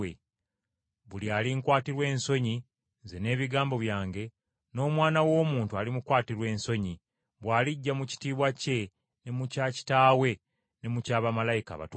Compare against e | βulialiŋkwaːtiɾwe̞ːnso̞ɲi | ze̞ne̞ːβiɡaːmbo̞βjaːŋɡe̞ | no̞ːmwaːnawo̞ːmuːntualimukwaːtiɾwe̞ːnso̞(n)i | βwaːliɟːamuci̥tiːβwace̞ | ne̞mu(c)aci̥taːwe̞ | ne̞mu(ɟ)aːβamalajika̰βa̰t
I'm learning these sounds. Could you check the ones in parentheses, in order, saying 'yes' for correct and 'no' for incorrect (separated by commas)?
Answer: no, yes, no